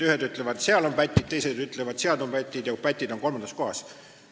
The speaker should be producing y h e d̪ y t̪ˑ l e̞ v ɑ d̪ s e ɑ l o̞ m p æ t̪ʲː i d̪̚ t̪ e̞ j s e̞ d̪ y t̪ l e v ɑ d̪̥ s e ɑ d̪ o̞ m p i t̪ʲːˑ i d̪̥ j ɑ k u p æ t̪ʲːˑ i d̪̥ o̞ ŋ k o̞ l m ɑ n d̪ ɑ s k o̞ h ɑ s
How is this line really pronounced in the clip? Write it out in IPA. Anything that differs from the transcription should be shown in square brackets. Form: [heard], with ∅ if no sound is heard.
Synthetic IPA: y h e d̪ y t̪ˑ l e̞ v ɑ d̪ s e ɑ l o̞ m p æ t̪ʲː i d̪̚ t̪ e̞ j s e̞ d̪ y t̪ l e v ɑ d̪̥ s e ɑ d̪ o̞ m p [æ] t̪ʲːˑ i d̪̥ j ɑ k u p æ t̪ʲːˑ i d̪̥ o̞ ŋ k o̞ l m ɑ n d̪ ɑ s k o̞ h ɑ s